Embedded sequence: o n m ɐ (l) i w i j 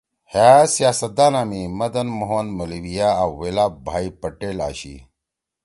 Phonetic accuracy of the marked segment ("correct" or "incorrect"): correct